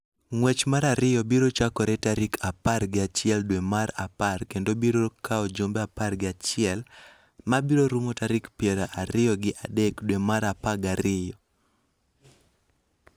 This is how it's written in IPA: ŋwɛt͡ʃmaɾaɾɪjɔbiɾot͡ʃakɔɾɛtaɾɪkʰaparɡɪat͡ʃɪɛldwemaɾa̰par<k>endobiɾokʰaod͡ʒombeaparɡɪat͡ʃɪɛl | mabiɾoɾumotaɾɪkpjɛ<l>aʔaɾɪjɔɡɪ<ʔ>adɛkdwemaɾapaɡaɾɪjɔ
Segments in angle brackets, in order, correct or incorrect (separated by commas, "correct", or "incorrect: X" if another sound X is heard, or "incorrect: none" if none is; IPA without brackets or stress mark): correct, incorrect: ɾ, correct